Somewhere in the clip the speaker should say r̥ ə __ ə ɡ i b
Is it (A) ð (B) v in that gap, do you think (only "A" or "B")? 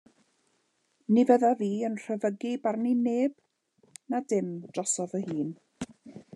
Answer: B